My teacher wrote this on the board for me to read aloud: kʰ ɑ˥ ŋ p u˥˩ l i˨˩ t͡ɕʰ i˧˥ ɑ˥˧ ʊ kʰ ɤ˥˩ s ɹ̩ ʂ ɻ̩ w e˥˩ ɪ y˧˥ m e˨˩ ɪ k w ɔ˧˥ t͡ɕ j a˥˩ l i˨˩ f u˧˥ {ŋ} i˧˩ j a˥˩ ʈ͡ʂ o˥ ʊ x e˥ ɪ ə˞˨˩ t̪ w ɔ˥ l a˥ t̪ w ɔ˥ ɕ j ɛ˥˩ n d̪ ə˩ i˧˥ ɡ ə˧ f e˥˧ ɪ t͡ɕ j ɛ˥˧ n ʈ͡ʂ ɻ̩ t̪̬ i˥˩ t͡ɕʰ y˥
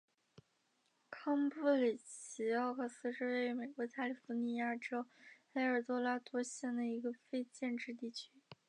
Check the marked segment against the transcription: incorrect: n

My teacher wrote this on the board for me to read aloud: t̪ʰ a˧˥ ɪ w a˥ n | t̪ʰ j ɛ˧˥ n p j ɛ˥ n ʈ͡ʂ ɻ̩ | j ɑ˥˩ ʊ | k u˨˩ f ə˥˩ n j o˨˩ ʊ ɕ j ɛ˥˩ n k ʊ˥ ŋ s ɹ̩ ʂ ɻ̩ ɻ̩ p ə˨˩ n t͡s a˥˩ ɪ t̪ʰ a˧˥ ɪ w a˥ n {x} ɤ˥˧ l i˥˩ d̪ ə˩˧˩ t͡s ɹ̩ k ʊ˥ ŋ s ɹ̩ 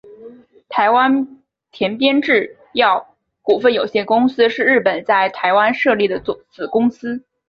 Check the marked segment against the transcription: incorrect: ʂ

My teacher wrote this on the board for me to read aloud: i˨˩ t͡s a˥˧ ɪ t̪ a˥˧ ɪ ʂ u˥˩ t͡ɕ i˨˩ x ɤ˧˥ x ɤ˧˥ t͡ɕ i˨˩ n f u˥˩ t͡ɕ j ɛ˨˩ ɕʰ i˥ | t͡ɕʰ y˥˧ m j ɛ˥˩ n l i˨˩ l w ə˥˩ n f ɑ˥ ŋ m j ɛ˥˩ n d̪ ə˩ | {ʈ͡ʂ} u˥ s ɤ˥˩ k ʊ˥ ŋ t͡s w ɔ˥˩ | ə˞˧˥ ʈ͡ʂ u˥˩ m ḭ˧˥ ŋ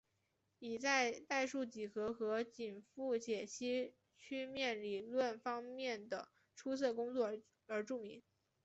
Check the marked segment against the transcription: incorrect: ʈ͡ʂʰ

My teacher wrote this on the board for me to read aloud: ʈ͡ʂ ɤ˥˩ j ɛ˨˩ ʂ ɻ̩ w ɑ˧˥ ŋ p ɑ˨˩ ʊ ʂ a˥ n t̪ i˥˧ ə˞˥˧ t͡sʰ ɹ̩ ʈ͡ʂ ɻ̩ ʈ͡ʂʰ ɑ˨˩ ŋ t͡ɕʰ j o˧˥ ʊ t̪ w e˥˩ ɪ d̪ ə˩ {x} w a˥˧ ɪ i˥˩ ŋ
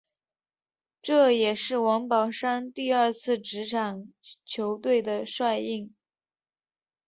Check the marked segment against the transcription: incorrect: ʂ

